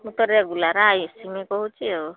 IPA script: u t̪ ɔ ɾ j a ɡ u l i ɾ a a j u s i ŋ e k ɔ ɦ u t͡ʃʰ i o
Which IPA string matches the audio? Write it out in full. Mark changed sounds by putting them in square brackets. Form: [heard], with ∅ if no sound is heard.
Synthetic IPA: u t̪ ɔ ɾ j a ɡ u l [a] ɾ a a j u s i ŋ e k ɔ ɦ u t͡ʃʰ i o